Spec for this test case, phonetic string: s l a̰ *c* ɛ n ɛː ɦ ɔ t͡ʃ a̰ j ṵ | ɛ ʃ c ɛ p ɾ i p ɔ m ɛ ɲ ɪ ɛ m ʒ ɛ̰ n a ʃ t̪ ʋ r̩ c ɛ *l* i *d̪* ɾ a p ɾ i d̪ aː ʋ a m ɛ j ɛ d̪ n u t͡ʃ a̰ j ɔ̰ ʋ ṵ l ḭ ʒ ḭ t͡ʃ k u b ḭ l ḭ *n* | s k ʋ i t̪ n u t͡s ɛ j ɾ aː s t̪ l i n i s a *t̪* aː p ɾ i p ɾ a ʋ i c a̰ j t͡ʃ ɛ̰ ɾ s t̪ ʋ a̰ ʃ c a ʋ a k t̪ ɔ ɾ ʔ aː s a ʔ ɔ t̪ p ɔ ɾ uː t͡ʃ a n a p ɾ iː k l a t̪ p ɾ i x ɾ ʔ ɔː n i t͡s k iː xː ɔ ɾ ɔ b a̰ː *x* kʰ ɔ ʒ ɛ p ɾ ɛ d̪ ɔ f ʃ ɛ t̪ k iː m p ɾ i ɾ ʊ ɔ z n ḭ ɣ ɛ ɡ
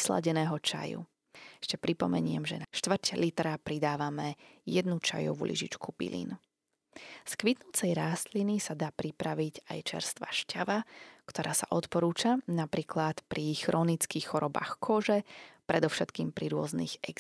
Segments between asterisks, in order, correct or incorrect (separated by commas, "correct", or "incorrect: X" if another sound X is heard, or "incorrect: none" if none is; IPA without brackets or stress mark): incorrect: ɟ, correct, incorrect: t̪, correct, incorrect: d̪, correct